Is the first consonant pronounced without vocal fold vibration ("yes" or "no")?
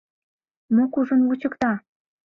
no